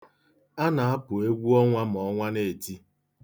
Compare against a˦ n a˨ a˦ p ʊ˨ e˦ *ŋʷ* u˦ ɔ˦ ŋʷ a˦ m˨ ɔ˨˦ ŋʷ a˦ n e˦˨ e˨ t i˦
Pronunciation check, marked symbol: incorrect: ɡʷ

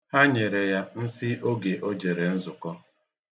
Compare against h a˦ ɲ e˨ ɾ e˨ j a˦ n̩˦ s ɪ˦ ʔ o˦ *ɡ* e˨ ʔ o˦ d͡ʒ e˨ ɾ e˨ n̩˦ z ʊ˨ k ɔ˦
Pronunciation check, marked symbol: correct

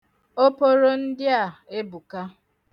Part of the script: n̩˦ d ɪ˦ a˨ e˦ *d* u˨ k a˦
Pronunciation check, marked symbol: incorrect: b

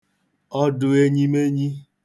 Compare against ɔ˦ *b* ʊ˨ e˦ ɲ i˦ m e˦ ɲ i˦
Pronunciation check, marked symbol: incorrect: d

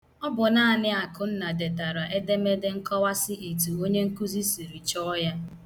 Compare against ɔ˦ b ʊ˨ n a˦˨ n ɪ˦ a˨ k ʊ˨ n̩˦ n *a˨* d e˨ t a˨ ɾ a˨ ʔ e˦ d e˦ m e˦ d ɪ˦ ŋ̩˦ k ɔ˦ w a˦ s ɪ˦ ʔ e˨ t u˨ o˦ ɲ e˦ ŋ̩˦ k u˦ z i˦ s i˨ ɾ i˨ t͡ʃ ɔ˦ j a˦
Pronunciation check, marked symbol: correct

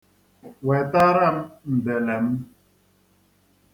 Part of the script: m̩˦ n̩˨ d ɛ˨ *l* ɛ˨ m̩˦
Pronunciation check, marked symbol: correct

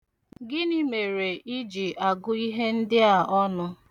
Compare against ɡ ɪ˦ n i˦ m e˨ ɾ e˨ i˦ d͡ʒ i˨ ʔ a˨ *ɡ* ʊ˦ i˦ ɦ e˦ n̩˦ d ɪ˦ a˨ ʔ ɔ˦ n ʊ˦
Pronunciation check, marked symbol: correct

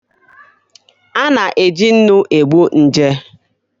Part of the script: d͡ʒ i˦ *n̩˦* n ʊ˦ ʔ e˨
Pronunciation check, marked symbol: correct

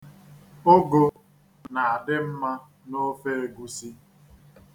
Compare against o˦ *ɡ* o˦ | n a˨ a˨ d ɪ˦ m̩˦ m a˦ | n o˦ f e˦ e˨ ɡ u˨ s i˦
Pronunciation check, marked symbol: correct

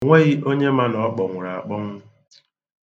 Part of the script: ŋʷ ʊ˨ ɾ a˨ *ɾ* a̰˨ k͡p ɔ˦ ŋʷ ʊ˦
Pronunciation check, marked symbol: incorrect: none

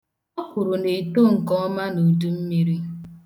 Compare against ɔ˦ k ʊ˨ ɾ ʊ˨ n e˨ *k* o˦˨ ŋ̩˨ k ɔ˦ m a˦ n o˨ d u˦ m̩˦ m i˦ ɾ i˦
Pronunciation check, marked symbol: incorrect: t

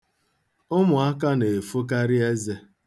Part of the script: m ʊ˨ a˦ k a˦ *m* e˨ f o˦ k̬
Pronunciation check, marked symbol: incorrect: n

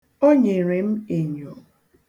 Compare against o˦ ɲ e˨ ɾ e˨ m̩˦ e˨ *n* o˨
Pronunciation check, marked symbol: incorrect: ɲ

